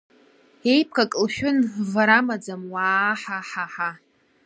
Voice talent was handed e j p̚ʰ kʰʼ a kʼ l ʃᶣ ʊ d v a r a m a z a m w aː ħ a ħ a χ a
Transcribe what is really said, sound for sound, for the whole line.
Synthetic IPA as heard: e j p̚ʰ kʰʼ a kʼ l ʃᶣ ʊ n v a ɾ a m a d͡z a m w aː ħ a ħ a ħ a